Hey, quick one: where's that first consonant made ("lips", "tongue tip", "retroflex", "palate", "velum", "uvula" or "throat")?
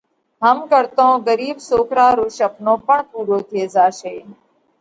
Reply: throat